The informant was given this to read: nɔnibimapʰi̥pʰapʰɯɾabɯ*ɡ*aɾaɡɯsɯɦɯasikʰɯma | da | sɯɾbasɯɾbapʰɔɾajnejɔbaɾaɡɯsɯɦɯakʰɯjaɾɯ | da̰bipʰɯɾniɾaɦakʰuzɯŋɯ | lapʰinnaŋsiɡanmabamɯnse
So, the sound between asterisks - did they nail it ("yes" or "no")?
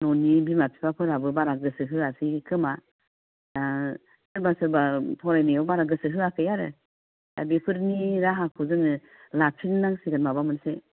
no